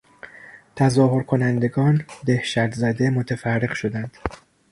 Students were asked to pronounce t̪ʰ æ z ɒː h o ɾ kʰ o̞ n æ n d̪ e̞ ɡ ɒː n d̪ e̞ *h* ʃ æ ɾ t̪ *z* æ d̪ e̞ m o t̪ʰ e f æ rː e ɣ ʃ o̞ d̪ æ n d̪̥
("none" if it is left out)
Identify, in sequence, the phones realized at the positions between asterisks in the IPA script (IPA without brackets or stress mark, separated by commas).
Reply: h, z